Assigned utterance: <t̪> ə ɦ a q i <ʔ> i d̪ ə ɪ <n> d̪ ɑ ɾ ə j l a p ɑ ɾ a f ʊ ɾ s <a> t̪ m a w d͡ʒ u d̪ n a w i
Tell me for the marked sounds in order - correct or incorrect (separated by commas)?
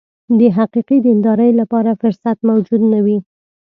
incorrect, incorrect, correct, correct